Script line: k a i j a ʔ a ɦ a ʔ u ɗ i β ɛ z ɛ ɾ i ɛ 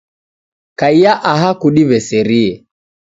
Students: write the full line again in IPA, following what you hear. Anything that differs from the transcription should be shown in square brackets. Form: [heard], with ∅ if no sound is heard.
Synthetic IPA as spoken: k a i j a ʔ a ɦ a [k] u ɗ i β ɛ [s] ɛ ɾ i ɛ